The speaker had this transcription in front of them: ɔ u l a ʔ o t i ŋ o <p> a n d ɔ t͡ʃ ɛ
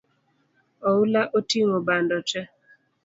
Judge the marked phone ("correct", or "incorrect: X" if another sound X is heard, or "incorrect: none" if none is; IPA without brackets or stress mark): incorrect: b